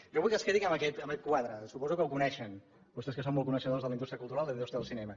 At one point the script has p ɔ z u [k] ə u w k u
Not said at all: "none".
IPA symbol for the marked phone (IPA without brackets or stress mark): k